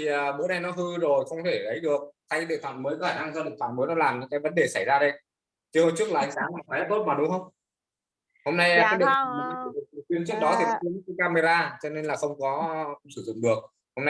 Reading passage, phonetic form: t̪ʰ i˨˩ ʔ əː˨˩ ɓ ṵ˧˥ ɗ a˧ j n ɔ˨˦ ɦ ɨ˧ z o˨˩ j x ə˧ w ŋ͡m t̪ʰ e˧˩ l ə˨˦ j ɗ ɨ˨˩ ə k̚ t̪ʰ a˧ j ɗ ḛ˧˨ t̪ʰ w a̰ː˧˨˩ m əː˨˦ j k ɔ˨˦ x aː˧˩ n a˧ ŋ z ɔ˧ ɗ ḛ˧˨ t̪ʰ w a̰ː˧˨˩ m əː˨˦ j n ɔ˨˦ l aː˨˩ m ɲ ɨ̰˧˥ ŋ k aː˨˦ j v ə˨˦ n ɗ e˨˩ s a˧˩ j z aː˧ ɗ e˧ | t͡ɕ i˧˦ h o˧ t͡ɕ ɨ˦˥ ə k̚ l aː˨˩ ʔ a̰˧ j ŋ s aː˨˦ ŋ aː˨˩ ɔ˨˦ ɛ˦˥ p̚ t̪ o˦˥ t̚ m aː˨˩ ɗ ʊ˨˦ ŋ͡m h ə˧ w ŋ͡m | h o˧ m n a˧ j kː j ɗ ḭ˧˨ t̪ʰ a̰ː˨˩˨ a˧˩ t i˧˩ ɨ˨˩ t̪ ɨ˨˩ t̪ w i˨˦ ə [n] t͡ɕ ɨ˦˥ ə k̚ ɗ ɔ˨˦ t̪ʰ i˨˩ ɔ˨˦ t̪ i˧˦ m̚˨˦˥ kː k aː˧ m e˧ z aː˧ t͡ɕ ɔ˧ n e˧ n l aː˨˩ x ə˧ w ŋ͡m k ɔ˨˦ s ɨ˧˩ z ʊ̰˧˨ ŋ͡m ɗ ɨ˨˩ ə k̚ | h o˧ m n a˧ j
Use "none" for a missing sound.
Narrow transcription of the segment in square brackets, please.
n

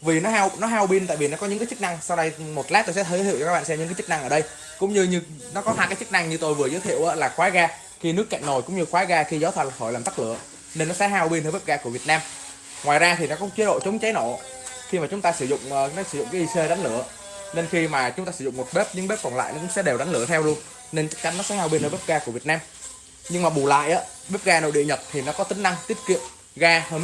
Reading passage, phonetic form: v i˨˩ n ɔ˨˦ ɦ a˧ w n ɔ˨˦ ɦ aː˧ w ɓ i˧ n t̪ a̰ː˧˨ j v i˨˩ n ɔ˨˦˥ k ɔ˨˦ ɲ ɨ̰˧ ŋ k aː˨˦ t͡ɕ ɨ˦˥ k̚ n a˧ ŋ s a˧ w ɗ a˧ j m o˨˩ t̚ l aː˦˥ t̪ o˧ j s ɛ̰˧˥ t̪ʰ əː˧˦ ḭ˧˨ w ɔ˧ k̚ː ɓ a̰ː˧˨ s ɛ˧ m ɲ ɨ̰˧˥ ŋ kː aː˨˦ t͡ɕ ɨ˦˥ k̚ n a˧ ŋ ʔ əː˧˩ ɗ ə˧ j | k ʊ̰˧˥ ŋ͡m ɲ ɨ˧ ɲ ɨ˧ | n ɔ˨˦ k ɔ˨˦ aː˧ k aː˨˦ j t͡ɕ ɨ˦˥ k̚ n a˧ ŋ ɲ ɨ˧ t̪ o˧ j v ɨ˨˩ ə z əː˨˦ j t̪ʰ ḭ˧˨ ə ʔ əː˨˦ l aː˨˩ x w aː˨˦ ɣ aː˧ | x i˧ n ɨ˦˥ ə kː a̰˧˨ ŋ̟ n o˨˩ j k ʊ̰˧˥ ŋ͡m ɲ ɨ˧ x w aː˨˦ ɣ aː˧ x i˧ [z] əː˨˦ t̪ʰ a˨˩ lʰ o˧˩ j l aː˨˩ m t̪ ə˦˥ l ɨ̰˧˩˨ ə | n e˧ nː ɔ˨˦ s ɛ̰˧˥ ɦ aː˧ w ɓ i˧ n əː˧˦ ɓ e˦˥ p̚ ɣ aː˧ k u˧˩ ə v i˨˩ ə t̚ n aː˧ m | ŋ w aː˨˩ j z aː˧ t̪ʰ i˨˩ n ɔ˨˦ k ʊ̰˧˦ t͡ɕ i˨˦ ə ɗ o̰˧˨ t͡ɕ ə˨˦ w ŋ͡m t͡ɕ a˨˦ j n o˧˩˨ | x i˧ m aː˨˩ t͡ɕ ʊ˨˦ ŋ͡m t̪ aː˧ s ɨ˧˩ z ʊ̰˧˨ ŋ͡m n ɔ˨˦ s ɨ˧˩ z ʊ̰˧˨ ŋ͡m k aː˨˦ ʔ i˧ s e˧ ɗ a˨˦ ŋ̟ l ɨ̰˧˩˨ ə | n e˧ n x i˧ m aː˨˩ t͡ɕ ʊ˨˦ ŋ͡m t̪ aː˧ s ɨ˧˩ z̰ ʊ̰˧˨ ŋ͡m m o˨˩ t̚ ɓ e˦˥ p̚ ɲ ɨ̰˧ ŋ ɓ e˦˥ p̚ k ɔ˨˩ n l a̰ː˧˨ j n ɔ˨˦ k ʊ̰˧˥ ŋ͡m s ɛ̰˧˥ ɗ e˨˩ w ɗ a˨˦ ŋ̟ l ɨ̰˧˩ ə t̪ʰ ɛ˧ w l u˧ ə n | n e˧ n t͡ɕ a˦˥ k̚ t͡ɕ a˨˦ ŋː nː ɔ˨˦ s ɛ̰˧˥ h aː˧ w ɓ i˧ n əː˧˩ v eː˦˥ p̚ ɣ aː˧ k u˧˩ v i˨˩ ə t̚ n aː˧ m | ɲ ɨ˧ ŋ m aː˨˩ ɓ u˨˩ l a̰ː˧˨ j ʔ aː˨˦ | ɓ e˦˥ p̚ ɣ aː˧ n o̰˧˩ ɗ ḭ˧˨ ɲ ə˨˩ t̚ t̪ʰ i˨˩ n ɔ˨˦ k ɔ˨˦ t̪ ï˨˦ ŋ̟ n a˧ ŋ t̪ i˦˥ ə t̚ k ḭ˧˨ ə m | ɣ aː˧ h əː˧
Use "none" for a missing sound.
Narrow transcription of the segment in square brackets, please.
z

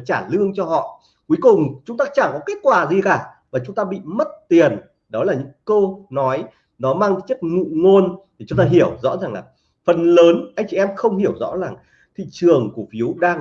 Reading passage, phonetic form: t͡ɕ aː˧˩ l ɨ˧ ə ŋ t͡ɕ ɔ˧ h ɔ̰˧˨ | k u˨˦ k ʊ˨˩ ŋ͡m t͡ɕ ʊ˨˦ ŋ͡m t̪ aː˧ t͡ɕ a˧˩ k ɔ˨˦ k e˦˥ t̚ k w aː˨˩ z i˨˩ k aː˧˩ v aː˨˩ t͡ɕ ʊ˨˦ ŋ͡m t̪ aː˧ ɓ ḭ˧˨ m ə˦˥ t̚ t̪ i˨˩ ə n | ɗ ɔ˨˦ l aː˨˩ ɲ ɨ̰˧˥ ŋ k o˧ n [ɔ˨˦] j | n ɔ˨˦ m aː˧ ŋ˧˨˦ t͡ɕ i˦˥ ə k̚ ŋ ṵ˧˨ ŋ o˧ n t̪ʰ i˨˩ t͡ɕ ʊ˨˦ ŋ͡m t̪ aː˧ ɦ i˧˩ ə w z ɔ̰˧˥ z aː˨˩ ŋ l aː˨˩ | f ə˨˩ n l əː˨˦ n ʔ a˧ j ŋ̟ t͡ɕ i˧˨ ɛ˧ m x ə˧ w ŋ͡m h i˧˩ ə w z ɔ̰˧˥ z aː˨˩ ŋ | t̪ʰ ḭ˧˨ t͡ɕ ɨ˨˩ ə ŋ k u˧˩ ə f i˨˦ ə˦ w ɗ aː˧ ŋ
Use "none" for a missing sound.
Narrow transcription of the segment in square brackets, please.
ɔ˨˦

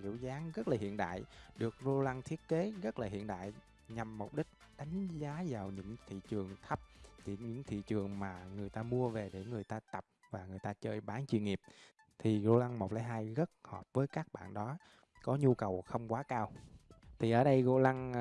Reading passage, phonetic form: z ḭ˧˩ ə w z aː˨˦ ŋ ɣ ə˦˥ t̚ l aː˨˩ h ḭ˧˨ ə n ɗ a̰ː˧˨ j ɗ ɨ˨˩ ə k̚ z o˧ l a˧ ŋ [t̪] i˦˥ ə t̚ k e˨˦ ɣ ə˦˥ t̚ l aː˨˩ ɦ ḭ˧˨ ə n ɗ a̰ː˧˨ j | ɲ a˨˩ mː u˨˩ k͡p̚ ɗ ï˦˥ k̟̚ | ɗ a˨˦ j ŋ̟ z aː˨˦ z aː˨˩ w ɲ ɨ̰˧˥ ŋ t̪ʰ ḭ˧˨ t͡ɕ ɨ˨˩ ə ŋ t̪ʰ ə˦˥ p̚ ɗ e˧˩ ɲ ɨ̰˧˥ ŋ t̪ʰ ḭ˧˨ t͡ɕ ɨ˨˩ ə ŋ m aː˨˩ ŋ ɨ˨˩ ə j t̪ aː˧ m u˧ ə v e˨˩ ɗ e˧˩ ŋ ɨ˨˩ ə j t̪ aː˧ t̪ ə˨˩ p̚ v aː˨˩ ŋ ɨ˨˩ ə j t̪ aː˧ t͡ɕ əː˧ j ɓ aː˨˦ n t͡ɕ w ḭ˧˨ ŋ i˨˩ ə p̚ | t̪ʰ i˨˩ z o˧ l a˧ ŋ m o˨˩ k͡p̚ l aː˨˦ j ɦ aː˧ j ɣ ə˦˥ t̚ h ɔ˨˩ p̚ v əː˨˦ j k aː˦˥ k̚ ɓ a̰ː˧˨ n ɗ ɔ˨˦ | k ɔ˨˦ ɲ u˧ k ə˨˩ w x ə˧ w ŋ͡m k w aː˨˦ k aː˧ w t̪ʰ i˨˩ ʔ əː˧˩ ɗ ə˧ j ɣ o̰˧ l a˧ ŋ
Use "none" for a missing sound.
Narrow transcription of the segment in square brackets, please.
t̪ʰ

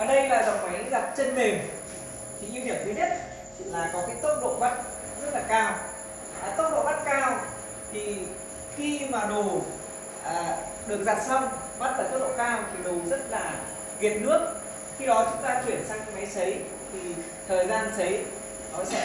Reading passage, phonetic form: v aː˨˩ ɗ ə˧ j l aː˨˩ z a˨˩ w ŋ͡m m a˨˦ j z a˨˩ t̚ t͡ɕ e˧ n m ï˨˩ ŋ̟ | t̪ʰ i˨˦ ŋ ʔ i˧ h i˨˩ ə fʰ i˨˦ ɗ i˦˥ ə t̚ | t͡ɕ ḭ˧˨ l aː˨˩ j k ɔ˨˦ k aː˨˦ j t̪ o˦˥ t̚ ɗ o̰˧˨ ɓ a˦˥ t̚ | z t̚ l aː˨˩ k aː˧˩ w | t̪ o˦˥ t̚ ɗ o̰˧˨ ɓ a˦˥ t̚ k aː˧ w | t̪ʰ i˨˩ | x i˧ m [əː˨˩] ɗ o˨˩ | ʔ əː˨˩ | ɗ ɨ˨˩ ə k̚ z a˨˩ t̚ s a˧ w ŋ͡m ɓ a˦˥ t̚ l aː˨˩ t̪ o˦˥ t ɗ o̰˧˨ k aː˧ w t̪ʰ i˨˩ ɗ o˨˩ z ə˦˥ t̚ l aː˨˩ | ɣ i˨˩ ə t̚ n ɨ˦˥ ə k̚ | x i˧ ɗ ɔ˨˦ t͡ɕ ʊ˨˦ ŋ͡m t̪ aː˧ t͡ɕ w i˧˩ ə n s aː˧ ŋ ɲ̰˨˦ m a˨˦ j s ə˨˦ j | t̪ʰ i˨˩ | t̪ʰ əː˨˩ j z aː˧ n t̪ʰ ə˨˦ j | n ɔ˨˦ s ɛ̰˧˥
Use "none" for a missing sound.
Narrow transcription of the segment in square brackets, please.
aː˨˩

